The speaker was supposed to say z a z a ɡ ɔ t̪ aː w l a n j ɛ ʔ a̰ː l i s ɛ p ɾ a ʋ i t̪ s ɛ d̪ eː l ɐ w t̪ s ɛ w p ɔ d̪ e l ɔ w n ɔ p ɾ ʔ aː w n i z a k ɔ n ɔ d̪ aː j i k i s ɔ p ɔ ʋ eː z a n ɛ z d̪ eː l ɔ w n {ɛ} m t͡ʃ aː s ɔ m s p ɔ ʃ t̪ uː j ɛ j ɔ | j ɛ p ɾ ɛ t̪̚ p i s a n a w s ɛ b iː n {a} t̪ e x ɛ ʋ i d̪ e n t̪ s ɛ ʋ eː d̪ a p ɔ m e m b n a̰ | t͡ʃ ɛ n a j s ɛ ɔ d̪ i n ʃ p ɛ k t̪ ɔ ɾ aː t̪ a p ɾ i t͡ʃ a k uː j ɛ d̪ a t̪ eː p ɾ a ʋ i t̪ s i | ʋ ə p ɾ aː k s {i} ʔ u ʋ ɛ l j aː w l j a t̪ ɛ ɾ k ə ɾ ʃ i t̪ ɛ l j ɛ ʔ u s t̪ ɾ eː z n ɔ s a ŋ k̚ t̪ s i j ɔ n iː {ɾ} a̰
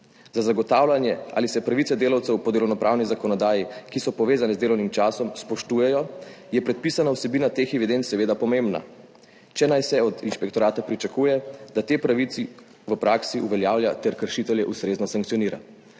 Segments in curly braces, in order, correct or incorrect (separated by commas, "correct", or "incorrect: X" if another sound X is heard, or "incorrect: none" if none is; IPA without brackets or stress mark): incorrect: i, correct, correct, correct